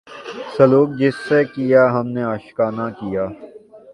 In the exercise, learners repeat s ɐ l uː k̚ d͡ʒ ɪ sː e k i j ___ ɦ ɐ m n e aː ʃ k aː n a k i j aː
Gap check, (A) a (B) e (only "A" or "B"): A